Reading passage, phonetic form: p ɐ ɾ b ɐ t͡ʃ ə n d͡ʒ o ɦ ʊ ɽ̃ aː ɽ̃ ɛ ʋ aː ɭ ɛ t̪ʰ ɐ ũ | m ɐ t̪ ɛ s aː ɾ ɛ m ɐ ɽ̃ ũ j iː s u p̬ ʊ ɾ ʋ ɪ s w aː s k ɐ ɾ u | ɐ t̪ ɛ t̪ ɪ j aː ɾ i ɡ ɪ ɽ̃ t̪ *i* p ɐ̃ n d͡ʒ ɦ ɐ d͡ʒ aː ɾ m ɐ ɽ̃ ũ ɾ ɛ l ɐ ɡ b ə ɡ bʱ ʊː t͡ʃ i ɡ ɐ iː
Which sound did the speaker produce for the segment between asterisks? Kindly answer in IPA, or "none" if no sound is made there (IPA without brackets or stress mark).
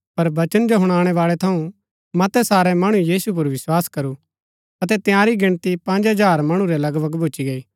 i